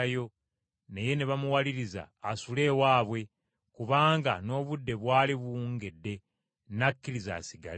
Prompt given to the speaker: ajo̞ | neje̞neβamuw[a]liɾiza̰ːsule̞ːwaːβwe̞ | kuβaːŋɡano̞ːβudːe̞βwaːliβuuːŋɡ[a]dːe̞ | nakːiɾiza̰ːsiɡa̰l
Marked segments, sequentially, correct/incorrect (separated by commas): correct, incorrect